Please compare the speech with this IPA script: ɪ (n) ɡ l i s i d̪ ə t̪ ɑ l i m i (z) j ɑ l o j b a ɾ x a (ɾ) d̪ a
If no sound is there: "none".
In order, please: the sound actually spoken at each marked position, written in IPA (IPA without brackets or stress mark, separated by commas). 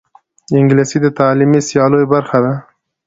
ŋ, s, none